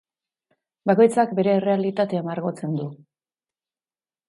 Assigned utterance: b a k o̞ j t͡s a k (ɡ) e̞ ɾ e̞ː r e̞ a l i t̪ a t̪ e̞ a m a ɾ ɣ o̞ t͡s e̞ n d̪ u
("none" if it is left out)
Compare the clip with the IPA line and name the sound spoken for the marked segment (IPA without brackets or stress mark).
b